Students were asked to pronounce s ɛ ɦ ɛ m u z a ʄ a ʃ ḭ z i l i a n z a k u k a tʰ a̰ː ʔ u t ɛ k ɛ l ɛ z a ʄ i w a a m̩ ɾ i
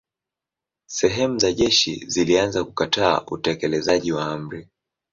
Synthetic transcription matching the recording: s ɛ ɦ ɛ m u z a ʄ ɛ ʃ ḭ z i l i a n z a k u k a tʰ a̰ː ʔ u t ɛ k ɛ l ɛ z a ʄ i w a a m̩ ɾ i